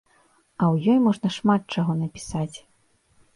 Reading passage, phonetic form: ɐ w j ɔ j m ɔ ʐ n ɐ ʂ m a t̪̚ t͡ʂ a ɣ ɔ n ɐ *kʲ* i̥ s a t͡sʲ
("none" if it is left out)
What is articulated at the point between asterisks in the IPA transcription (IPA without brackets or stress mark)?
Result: pʲ